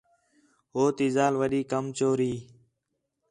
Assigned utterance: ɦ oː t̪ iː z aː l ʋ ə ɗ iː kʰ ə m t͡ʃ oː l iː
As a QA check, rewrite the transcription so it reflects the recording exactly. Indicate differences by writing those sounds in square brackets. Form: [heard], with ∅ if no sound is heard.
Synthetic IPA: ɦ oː t̪ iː z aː l ʋ ə ɗ iː [k] ə m t͡ʃ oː [ɾ] iː